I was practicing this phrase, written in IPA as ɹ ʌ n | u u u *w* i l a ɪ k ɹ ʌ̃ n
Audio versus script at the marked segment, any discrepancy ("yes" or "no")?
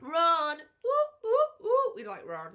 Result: no